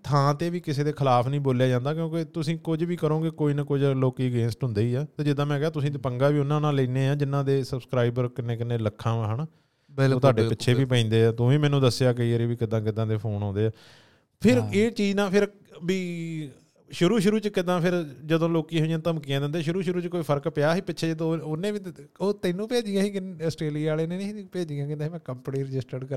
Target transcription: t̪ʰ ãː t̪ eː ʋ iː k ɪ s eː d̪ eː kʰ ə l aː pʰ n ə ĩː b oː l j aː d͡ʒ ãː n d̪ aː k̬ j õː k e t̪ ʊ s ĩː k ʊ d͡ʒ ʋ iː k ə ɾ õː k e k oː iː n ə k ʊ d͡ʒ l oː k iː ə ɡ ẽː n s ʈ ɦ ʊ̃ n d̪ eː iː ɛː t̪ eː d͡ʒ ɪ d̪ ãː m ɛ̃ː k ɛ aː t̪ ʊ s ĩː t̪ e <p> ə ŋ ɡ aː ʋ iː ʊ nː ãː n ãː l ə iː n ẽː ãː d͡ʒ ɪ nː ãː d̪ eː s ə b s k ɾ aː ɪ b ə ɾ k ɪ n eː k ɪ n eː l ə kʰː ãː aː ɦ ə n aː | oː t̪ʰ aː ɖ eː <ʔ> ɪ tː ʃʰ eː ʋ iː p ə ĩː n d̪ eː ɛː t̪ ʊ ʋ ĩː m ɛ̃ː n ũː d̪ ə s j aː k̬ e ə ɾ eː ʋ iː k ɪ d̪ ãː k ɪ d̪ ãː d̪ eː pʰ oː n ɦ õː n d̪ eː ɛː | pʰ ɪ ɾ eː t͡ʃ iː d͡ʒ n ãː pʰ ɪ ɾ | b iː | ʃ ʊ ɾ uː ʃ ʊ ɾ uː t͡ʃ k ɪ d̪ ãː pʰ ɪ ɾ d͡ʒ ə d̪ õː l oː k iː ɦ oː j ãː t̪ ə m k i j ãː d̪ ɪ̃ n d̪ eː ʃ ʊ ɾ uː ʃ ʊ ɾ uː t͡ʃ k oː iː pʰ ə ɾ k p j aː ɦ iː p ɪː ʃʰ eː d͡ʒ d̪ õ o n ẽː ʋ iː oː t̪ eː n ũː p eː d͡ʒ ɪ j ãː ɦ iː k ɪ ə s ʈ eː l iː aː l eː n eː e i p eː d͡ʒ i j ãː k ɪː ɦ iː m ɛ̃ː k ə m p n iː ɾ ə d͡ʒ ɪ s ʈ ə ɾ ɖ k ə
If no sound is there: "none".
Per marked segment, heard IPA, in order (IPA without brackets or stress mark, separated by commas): p, p